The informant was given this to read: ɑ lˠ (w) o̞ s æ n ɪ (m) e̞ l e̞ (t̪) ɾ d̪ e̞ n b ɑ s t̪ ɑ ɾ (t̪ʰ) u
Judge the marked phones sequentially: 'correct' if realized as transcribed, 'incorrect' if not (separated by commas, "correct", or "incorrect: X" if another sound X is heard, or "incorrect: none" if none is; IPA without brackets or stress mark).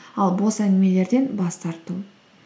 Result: incorrect: b, correct, incorrect: none, incorrect: t̪